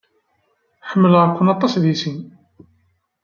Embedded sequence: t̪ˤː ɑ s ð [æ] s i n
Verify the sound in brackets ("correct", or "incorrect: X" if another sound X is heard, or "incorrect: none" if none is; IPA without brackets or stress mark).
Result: incorrect: i